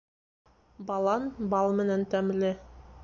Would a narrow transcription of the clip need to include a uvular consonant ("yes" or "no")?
no